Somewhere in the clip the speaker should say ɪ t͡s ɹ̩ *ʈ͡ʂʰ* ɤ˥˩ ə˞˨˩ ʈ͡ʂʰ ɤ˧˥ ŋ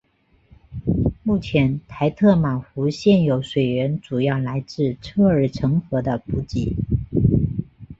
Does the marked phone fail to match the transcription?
no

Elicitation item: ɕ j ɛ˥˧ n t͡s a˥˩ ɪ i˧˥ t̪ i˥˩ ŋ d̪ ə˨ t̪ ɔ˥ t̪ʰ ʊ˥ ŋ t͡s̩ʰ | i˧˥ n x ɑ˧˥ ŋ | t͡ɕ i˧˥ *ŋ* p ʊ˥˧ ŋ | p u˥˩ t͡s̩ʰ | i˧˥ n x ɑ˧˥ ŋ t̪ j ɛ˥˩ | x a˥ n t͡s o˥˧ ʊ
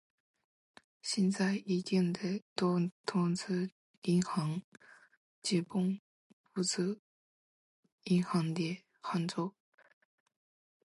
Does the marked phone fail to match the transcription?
yes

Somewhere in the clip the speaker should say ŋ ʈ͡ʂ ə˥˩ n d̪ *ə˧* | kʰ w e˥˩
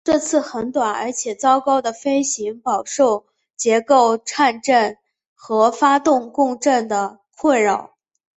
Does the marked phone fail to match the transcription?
yes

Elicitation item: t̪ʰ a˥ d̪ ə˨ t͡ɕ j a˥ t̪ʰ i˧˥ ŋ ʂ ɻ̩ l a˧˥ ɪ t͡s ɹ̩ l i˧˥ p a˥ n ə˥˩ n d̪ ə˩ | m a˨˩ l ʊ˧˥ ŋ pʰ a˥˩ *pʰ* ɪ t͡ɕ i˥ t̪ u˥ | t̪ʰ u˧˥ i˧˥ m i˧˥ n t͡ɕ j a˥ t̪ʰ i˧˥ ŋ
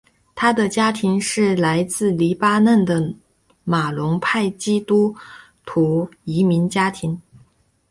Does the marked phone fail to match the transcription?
yes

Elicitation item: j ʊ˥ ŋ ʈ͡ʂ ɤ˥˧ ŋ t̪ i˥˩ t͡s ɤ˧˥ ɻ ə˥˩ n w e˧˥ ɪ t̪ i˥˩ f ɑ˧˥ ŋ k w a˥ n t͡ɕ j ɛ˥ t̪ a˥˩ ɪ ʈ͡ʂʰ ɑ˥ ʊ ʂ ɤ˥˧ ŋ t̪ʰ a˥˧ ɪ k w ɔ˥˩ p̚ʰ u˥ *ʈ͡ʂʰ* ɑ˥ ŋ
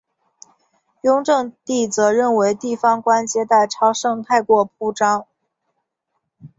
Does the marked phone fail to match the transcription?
yes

